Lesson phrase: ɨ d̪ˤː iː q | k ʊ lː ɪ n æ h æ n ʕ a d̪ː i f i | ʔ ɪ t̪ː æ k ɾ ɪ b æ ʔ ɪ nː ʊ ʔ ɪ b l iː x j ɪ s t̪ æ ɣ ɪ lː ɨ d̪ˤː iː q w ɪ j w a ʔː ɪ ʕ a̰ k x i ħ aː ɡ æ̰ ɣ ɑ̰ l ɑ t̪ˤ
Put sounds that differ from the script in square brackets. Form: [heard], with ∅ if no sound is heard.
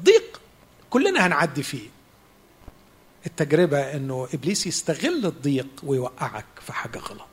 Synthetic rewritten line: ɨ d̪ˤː iː q | k ʊ lː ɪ n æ h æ n ʕ a d̪ː i f i | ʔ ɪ t̪ː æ [ɡ] ɾ ɪ b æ ʔ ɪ nː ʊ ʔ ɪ b l iː [s] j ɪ s t̪ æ ɣ ɪ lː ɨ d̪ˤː iː q w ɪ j w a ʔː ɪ ʕ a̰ k [f] i ħ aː ɡ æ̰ ɣ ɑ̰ l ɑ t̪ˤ